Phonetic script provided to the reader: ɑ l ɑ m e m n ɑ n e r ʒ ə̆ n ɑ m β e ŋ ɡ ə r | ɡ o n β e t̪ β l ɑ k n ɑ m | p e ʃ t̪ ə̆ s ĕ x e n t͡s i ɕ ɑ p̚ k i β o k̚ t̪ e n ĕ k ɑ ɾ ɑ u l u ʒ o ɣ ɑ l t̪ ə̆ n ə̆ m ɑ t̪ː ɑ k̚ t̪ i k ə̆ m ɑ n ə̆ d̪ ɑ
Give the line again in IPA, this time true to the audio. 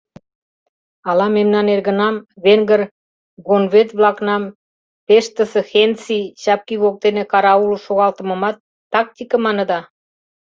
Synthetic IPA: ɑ l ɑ m e m n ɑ n e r ɣ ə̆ n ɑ m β e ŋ ɡ ə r | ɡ o n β e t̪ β l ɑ k n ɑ m | p e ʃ t̪ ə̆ s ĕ x e n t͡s i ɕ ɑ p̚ k i β o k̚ t̪ e n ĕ k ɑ ɾ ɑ u l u ʃ o ɣ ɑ l t̪ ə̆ m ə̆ m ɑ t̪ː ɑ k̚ t̪ i k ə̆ m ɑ n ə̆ d̪ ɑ